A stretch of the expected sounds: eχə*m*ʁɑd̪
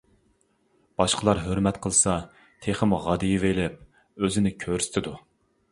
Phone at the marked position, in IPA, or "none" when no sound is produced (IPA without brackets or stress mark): m